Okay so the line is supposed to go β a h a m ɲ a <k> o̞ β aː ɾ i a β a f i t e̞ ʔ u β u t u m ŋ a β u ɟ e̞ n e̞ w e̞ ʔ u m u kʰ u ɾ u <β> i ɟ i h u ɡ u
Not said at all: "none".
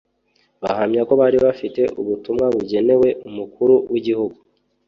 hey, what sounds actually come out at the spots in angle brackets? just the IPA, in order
k, w

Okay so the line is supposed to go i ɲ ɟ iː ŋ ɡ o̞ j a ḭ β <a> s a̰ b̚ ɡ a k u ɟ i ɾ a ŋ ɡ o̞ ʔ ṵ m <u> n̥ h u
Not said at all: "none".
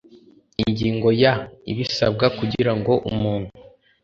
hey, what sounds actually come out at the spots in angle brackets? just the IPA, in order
i, uː

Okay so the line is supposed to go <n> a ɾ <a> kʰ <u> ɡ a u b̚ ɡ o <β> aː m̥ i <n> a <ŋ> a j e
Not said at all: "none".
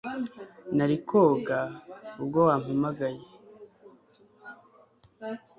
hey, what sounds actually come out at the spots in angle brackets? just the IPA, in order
n, i, o, w, m, ɡ

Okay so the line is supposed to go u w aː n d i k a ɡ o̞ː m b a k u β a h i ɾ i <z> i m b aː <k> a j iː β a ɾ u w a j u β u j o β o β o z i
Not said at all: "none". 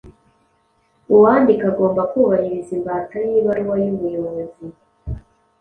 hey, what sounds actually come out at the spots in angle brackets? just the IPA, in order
z, t

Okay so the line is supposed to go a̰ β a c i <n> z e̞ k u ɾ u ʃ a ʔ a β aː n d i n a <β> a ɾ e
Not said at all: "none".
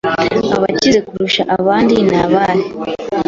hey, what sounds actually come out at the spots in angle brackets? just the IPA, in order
none, β

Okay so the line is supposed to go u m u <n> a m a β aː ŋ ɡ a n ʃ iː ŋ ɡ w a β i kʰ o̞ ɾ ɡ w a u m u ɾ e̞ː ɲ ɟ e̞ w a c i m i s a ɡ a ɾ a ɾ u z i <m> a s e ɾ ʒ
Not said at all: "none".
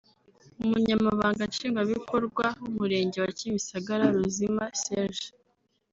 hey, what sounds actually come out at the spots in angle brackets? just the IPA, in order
ɲ, m

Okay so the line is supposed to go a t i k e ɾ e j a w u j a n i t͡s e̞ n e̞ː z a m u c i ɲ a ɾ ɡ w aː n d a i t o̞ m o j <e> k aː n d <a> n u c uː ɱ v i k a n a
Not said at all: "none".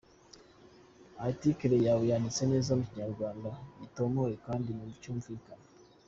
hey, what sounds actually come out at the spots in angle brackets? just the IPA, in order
e, i

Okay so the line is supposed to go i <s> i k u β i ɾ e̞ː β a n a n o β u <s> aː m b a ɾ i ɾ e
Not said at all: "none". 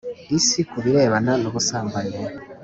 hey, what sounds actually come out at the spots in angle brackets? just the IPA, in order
s, s

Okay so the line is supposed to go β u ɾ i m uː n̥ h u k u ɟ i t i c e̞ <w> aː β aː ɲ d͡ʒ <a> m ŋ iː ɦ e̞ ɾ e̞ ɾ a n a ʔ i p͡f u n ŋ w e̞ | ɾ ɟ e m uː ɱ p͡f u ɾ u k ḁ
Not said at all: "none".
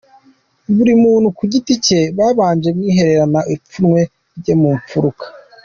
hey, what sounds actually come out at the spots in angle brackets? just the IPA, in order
β, e

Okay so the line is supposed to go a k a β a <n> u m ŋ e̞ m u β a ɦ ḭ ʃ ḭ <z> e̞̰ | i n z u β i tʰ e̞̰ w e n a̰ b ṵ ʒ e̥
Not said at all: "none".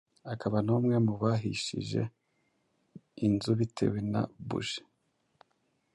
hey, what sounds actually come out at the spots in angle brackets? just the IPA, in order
n, ʒ

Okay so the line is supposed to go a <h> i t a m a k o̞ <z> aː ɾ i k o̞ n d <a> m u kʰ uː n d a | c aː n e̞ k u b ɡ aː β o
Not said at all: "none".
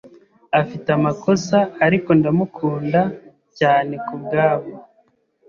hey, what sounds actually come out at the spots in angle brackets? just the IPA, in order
f, s, a

